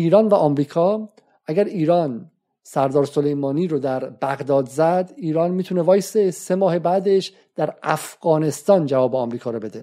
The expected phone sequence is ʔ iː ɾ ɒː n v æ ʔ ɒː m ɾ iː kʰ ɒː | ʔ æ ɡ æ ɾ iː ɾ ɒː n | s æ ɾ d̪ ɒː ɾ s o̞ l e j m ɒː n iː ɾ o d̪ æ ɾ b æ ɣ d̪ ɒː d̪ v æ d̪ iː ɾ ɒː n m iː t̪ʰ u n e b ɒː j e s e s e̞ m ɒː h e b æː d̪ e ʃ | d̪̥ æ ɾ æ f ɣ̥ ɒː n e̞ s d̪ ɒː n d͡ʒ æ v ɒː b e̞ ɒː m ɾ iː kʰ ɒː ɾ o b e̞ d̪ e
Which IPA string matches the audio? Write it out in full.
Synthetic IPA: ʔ iː ɾ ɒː n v æ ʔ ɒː m ɾ iː kʰ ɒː | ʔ æ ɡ æ ɾ iː ɾ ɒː n | s æ ɾ d̪ ɒː ɾ s o̞ l e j m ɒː n iː ɾ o d̪ æ ɾ b æ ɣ d̪ ɒː d̪ z æ d̪ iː ɾ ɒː n m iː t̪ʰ u n e v ɒː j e s e s e̞ m ɒː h e b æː d̪ e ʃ | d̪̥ æ ɾ æ f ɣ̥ ɒː n e̞ s t̪ ɒː n d͡ʒ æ v ɒː b e̞ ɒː m ɾ iː kʰ ɒː ɾ o b e̞ d̪ e